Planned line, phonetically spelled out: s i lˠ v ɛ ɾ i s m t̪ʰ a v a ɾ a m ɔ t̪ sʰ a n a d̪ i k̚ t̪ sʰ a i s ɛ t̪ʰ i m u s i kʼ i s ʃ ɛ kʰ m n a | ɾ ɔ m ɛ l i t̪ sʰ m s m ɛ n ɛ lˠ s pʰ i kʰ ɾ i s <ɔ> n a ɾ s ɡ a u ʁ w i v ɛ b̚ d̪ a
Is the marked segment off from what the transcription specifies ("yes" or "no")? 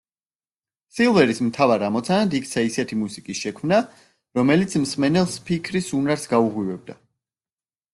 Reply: yes